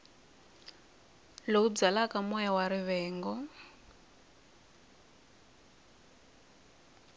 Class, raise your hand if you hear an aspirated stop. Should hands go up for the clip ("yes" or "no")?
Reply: no